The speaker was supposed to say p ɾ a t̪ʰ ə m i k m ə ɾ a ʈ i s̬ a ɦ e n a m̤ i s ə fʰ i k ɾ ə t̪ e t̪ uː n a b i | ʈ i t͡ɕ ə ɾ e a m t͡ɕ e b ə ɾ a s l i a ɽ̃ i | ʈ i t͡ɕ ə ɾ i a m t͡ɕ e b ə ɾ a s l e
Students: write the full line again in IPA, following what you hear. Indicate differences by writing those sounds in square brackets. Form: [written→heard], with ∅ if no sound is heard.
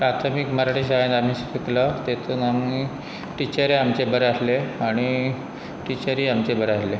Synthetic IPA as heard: p ɾ a t̪ʰ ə m i k m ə ɾ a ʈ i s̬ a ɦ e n a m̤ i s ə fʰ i k [ɾ→l] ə t̪ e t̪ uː n a [b→m] i | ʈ i t͡ɕ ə ɾ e a m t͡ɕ e b ə ɾ a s l [i→e] a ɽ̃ i | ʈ i t͡ɕ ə ɾ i a m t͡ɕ e b ə ɾ a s l e